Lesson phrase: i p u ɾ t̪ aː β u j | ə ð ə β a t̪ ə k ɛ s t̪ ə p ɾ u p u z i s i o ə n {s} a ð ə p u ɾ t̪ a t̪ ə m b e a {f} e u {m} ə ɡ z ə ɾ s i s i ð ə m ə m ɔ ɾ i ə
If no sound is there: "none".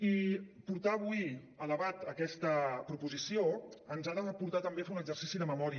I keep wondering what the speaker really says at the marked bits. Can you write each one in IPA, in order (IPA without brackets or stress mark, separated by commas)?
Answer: z, f, n